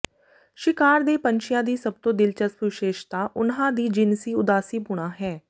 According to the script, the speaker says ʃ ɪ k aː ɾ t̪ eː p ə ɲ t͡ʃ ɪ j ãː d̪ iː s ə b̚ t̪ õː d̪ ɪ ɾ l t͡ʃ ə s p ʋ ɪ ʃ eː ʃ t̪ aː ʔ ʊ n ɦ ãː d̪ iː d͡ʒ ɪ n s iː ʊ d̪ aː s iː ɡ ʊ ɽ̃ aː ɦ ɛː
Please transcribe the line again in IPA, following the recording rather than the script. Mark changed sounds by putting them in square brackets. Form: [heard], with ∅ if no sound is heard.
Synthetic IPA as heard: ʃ ɪ k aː ɾ [d̪] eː p ə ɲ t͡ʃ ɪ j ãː d̪ iː s ə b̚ t̪ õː d̪ ɪ [∅] l t͡ʃ ə s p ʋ ɪ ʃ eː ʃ t̪ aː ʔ ʊ n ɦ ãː d̪ iː d͡ʒ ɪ n s iː ʊ d̪ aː s iː [b] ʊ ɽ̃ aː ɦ ɛː